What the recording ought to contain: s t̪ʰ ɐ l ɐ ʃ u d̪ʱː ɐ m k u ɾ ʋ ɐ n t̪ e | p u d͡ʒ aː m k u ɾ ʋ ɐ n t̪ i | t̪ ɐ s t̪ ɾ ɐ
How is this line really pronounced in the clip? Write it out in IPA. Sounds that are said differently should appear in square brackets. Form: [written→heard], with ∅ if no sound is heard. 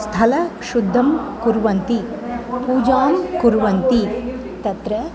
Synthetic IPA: s t̪ʰ ɐ l ɐ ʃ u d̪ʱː ɐ m k u ɾ ʋ ɐ n t̪ [e→i] | p [u→uː] d͡ʒ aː m k u ɾ ʋ ɐ n t̪ i | t̪ ɐ [s→∅] t̪ ɾ ɐ